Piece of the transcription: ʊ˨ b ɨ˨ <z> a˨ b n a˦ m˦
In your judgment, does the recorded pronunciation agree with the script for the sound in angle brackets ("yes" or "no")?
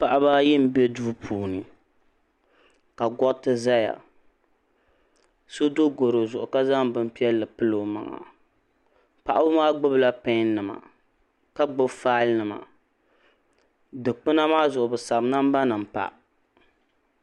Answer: no